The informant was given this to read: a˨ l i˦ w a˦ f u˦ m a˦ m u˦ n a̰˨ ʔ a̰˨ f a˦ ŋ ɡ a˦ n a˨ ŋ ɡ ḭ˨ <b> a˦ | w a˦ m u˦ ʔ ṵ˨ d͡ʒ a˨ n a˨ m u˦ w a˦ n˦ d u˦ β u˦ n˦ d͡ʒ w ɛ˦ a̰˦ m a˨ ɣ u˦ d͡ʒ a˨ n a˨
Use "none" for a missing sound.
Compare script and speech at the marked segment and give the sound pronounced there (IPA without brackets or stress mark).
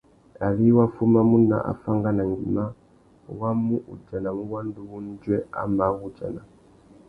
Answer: m